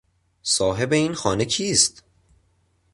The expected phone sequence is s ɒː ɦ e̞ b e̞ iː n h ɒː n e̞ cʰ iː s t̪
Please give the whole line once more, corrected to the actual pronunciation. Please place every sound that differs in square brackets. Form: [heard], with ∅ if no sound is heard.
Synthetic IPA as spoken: s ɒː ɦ e̞ b e̞ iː n [x] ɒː n e̞ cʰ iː s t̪